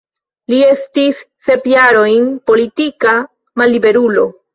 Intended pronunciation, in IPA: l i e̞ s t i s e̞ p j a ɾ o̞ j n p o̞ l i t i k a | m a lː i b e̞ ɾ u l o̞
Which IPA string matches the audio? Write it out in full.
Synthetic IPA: l i e̞ s t i sː e̞ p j a ɾ o̞ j n p o̞ l i t i k a | m a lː i b e̞ ɾ u l o̞